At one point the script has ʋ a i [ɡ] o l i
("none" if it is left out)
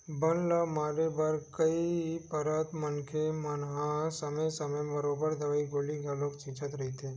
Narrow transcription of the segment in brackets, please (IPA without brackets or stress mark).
ɡ